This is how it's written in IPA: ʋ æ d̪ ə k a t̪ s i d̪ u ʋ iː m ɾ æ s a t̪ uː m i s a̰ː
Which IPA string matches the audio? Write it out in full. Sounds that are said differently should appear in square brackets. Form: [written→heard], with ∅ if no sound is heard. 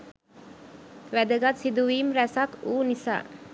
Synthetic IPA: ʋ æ d̪ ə [k→ɡ] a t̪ s i d̪ u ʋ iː m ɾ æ s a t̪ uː [m→n] i s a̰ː